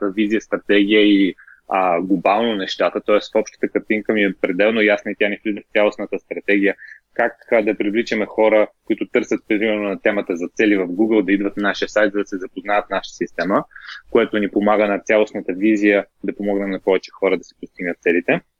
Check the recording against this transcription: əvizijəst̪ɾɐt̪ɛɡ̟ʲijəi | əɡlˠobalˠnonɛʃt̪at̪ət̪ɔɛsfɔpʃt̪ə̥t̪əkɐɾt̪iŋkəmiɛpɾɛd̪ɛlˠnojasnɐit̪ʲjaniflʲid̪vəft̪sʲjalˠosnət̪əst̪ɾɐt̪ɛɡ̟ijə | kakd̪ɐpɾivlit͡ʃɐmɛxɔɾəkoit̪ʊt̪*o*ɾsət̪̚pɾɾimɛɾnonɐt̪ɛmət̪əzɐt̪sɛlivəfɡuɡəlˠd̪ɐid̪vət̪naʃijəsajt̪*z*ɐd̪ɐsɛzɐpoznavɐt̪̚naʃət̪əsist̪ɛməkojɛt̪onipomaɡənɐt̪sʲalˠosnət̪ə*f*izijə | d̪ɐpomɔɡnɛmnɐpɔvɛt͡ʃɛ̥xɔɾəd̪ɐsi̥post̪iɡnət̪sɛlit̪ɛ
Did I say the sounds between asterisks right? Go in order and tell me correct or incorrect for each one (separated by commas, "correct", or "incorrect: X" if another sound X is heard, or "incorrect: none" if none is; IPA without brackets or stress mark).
incorrect: ɤ, correct, incorrect: v